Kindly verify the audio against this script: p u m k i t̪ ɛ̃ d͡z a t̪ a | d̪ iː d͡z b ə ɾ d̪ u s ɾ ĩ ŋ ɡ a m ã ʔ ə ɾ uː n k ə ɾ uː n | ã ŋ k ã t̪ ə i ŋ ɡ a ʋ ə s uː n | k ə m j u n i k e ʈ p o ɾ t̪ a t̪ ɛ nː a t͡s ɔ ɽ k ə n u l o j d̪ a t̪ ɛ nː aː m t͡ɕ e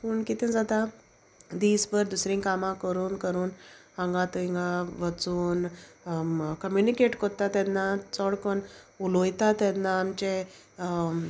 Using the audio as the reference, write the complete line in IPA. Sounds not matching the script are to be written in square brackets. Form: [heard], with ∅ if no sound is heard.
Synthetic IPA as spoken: p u [ɳ] k i t̪ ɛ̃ d͡z a t̪ a | d̪ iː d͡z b ə ɾ d̪ u s ɾ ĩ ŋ [k] a m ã [k] ə ɾ uː n k ə ɾ uː n | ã ŋ [ɡ] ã t̪ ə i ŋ ɡ a ʋ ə [t͡s] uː n | k ə m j u n i k e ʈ [k] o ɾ t̪ a t̪ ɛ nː a t͡s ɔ ɽ k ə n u l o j [t̪] a t̪ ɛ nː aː m t͡ɕ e